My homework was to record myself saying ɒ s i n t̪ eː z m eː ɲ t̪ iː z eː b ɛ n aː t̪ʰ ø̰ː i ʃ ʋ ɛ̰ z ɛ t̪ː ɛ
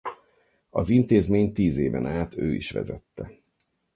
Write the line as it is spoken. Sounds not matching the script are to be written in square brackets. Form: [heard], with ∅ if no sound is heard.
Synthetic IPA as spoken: ɒ [z] i n t̪ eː z m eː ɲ t̪ iː z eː [v] ɛ n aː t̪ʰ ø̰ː i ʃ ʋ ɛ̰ z ɛ t̪ː ɛ